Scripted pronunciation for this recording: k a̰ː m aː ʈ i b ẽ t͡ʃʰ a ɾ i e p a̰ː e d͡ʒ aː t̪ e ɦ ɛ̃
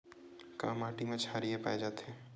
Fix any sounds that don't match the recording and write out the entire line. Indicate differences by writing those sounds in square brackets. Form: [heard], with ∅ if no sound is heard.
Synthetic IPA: k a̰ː m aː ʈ i [m] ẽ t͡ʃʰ a ɾ i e p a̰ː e d͡ʒ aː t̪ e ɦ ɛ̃